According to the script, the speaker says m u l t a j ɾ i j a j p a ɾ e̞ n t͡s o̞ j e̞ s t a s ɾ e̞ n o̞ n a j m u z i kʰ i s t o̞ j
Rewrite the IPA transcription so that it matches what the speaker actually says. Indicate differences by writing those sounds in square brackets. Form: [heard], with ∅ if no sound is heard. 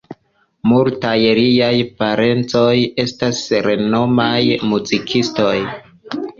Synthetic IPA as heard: m u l t a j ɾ i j a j p a ɾ e̞ n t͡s o̞ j e̞ s t a s ɾ e̞ n o̞ [m] a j m u z i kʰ i s t o̞ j